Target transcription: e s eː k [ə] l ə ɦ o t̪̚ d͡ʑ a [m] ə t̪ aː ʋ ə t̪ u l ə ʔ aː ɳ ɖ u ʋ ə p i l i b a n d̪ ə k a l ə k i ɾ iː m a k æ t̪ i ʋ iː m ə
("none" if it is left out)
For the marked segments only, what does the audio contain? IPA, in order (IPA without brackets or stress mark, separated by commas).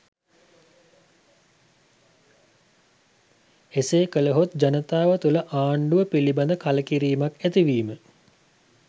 ə, n